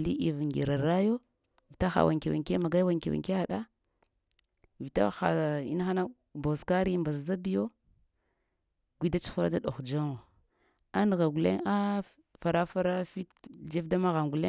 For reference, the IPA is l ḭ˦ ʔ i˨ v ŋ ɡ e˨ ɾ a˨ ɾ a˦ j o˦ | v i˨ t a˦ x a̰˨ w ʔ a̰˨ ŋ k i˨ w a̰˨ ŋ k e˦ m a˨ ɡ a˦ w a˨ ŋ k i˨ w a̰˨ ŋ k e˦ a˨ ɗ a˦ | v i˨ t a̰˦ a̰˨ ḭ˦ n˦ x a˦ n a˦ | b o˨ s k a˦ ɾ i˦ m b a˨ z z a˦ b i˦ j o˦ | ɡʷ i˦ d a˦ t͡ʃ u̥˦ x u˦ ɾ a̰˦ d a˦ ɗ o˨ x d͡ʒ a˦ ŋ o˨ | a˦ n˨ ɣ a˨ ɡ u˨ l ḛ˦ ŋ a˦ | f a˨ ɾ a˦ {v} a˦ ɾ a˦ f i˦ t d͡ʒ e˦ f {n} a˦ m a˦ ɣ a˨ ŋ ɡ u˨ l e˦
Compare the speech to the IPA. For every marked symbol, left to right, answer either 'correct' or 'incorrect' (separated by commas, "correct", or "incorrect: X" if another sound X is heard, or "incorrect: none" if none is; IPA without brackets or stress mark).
incorrect: f, incorrect: d